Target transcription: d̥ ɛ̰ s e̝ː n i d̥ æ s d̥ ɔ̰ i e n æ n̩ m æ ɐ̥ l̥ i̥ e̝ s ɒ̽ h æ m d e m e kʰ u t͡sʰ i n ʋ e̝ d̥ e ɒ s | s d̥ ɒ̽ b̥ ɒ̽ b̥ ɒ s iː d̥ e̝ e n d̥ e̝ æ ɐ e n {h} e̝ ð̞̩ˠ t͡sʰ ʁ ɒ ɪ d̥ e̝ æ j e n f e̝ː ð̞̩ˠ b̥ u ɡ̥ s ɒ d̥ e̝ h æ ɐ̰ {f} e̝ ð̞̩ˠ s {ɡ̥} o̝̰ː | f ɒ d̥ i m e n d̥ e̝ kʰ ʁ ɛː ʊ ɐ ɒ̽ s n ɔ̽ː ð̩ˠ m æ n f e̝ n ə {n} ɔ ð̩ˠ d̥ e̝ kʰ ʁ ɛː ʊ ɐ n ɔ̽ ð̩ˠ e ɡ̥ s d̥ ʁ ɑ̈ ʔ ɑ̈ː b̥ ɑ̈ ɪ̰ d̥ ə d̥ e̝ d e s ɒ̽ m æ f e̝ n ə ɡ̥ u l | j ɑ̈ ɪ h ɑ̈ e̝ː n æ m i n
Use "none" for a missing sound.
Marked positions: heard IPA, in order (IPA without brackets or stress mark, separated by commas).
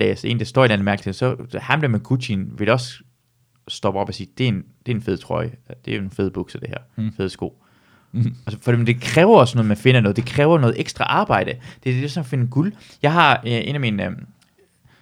f, f, ɡ̥, n